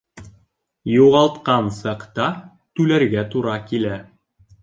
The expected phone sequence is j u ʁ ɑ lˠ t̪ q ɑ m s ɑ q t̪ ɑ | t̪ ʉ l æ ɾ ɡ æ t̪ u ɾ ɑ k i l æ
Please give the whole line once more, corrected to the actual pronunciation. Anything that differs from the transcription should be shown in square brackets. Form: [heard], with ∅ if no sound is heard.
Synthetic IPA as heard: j u ʁ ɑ lˠ t̪ q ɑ [n] s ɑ q t̪ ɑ | t̪ ʉ l æ ɾ ɡ æ t̪ u ɾ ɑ k i l æ